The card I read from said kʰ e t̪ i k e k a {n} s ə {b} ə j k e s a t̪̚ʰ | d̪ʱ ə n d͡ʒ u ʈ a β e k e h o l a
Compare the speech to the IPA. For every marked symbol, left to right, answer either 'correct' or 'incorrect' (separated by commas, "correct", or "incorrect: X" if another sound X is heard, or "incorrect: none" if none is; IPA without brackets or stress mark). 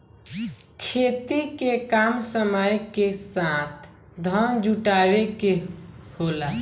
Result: incorrect: m, incorrect: m